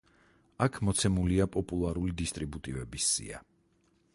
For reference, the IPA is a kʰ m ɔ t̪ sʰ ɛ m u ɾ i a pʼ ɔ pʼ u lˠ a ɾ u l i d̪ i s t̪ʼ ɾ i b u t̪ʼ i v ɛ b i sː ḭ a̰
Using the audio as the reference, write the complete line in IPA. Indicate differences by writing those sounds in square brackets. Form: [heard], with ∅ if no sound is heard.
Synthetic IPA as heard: a kʰ m ɔ t̪ sʰ ɛ m u [l] i a pʼ ɔ pʼ u lˠ a ɾ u l i d̪ i s t̪ʼ ɾ i b u t̪ʼ i v ɛ b i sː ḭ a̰